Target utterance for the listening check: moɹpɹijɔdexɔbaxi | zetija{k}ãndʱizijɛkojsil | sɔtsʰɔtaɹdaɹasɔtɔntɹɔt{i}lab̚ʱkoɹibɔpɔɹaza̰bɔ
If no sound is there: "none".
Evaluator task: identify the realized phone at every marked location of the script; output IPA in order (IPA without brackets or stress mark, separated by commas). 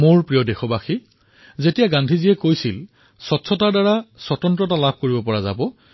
ɡ, a